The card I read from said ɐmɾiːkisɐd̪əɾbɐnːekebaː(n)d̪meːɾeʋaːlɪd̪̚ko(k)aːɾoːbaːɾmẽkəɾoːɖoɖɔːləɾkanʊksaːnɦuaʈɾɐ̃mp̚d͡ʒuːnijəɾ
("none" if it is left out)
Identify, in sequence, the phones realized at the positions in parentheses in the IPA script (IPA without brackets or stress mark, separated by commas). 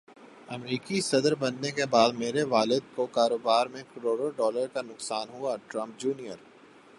none, k